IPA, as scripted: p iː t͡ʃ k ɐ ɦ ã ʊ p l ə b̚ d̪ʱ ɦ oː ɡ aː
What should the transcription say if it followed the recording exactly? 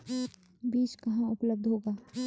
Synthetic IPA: b iː t͡ʃ k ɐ ɦ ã ʊ p l ə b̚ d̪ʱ ɦ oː ɡ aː